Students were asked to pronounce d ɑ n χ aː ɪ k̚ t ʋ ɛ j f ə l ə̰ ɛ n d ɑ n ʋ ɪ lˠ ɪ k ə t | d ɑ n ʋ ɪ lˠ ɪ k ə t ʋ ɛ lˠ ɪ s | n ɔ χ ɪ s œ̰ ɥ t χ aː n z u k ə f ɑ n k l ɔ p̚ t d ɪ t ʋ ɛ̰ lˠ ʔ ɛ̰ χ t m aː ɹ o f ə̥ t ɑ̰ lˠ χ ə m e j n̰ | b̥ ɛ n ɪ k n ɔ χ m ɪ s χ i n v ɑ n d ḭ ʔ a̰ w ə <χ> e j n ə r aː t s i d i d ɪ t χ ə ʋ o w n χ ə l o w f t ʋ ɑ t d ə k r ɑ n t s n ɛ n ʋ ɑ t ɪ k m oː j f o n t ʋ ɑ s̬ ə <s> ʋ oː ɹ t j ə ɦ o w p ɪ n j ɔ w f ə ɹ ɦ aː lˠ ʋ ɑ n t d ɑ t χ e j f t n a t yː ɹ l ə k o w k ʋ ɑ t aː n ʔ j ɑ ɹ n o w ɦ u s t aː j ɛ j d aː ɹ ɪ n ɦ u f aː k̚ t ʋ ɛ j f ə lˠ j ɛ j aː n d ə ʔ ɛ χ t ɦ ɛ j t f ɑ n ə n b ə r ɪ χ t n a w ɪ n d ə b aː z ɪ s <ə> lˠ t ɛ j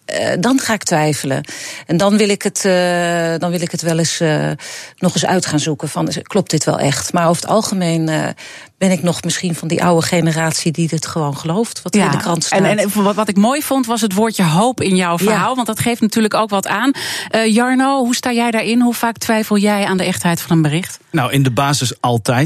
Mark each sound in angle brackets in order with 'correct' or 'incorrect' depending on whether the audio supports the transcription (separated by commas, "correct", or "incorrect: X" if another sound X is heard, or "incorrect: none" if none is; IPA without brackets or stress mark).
correct, incorrect: t, incorrect: ɑ